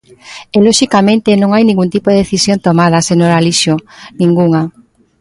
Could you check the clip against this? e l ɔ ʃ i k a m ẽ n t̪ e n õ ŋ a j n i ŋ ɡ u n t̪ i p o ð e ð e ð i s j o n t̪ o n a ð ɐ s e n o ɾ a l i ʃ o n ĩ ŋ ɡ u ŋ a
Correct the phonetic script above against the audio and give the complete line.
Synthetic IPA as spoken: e l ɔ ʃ i k a m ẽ n t̪ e n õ ŋ a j n i ŋ ɡ u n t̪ i p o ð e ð e θ i s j o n t̪ o m a ð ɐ s e n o ɾ a l i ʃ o n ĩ ŋ ɡ u ŋ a